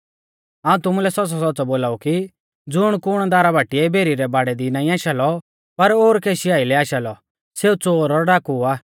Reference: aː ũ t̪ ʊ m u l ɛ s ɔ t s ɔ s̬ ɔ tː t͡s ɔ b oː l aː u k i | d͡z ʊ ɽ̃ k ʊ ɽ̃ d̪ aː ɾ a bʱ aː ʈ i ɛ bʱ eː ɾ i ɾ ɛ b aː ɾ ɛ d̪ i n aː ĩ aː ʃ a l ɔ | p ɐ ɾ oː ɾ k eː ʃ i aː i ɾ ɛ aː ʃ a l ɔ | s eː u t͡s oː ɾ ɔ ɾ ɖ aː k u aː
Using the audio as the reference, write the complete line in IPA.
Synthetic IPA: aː ũ t̪ ʊ m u l ɛ s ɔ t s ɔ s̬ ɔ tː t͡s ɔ b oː l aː u k i | d͡z ʊ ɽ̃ k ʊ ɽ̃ d̪ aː ɾ a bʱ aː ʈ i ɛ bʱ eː ɾ i ɾ ɛ b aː ɽ ɛ d̪ i n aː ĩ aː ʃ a l ɔ | p ɐ ɾ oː ɾ k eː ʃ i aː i l ɛ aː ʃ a l ɔ | s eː u t͡s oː ɾ ɔ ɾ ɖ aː k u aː